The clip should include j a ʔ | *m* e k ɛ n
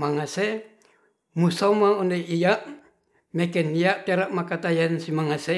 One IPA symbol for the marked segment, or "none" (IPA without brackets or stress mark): m